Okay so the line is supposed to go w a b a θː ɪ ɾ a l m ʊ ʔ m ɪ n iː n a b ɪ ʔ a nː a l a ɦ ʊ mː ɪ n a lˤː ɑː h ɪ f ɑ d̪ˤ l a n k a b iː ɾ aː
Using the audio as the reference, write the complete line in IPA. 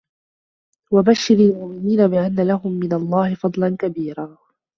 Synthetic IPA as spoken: w a b a ʃː ɪ ɾ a l m ʊ ʔ m ɪ n iː n a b ɪ ʔ a nː a l a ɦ ʊ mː ɪ n a lˤː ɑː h ɪ f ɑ d̪ˤ l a n k a b iː ɾ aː

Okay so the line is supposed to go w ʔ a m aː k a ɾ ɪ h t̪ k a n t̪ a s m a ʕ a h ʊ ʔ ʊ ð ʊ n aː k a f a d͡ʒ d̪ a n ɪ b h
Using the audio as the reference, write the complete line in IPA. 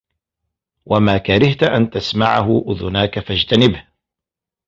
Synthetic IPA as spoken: w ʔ a m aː k a ɾ ɪ h t̪ ʔ a n t̪ a s m a ʕ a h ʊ ʔ ʊ ð ʊ n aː k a f a d͡ʒ t̪ a n ɪ b h

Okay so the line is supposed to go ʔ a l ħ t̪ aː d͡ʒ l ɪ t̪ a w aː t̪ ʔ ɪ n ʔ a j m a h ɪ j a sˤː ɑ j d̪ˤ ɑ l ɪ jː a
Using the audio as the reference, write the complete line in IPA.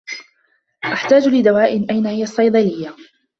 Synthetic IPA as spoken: ʔ a ħ t̪ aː d͡ʒ l ɪ d̪ a w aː ʔ ɪ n ʔ a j n a h ɪ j a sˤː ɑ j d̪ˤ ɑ l ɪ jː a

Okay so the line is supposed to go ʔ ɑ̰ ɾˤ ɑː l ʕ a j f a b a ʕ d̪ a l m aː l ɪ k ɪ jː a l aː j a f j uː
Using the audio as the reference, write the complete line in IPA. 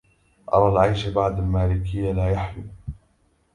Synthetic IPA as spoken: ʔ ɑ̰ ɾˤ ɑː l ʕ a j ʃ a b a ʕ d̪ a l m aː l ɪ k ɪ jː a l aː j a ħ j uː

